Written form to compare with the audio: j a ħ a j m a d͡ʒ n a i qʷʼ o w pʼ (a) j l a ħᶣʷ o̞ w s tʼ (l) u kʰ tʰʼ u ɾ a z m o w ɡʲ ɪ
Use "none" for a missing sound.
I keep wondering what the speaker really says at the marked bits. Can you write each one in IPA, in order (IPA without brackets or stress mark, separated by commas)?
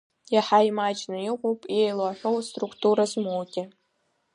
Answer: e, r